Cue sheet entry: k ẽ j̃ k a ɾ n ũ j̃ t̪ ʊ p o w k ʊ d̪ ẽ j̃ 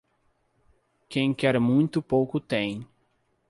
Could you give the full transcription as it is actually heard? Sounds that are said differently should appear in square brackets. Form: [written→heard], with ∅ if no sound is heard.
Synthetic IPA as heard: k ẽ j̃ k [a→ɛ] ɾ [n→m] ũ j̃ t̪ ʊ p o w k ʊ [d̪→t̪] ẽ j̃